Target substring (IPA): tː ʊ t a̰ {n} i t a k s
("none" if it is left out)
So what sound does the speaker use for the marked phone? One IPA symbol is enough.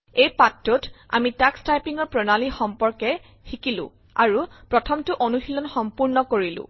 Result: m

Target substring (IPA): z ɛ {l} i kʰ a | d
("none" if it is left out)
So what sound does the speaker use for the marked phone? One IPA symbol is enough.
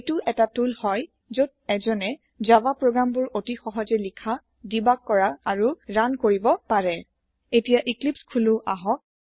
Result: l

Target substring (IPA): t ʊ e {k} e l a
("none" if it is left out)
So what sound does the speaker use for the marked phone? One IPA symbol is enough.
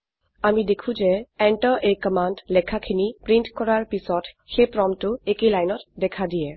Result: k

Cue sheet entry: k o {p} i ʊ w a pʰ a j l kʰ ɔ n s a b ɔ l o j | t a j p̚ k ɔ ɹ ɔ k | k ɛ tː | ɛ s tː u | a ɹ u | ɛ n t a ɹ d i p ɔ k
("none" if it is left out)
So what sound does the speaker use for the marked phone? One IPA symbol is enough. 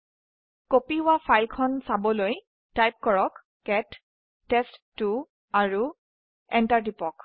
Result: p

